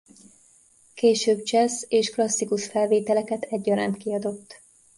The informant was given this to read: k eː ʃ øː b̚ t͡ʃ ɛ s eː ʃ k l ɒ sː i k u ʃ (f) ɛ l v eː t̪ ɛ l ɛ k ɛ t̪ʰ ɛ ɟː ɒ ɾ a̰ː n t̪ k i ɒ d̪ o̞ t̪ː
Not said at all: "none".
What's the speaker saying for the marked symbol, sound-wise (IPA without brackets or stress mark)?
f